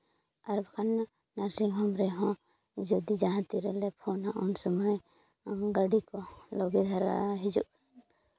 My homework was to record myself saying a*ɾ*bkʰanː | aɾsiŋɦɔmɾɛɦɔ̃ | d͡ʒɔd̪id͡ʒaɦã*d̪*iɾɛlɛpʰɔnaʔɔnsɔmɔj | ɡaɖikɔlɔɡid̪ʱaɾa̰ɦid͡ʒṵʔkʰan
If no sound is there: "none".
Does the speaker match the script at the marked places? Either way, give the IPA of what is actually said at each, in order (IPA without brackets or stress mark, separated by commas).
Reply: ɾ, t̪